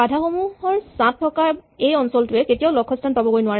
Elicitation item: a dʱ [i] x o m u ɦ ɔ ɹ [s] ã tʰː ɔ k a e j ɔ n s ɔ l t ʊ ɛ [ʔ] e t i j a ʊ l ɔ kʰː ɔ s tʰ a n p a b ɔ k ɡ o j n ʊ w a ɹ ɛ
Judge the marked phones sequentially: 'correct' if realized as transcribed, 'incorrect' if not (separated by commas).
incorrect, correct, incorrect